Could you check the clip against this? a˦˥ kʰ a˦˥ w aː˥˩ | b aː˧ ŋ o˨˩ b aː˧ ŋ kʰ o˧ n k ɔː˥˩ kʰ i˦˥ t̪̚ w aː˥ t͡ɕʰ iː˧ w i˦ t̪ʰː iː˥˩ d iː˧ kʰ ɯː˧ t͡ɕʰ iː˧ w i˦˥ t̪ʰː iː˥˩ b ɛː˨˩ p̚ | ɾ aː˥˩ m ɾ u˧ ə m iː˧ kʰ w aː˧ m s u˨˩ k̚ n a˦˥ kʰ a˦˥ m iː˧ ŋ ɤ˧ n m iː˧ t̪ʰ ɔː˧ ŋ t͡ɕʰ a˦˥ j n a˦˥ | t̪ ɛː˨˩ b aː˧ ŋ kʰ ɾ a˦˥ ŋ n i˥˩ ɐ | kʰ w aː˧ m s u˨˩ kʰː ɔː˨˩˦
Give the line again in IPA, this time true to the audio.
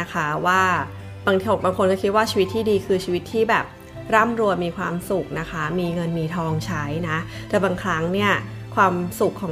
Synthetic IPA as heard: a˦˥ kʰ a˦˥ w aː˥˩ | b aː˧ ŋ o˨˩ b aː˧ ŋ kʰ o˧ n k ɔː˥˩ kʰ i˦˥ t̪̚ w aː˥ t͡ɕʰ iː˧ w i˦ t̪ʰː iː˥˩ d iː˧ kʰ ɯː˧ t͡ɕʰ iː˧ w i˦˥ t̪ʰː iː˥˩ b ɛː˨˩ p̚ | ɾ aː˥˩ m ɾ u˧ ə m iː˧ kʰ w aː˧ m s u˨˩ k̚ n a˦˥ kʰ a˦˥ m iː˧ ŋ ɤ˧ n m iː˧ t̪ʰ ɔː˧ ŋ t͡ɕʰ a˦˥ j n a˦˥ | t̪ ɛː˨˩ b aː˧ ŋ kʰ ɾ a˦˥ ŋ n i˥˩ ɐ | kʰ w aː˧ m s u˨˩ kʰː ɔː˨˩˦